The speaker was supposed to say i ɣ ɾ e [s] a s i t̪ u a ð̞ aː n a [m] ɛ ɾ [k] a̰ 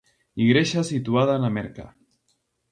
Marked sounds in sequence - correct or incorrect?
incorrect: ʃ, correct, correct

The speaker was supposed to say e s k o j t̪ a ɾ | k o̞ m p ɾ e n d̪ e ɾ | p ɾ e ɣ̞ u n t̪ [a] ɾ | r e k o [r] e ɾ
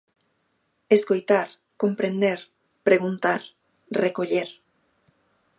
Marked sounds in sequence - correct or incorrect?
correct, incorrect: ʎ

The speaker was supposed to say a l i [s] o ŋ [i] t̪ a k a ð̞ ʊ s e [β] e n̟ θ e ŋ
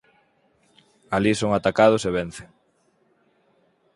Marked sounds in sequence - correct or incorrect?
correct, incorrect: a, correct

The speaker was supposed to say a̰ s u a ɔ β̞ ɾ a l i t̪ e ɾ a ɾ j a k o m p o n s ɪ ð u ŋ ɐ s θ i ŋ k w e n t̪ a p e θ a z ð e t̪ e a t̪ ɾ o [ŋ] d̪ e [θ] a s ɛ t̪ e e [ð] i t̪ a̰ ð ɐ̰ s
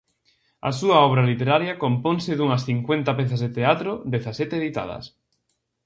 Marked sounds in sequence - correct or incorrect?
incorrect: none, correct, correct

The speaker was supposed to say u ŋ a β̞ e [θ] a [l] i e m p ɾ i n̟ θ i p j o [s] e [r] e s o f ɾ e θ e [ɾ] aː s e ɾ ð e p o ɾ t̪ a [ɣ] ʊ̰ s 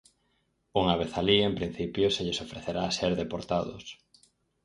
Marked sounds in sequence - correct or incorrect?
correct, correct, correct, incorrect: ʎ, correct, incorrect: ð

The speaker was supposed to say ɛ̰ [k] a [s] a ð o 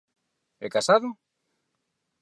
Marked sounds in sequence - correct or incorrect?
correct, correct

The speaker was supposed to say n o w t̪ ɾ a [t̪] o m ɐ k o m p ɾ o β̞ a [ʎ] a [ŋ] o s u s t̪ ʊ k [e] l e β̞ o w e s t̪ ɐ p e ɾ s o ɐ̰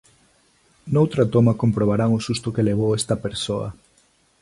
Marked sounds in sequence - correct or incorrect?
correct, incorrect: ɾ, correct, correct

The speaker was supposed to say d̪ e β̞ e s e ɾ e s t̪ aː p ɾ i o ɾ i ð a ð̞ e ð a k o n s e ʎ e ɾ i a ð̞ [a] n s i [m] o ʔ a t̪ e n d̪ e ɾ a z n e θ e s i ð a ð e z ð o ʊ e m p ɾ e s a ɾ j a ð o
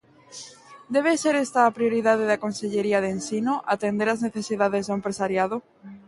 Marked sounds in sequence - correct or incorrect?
incorrect: e, incorrect: n

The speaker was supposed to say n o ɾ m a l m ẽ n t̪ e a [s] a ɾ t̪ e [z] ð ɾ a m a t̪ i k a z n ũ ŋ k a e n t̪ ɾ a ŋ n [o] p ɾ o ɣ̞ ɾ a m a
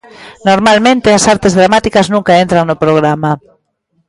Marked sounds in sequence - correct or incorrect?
correct, correct, correct

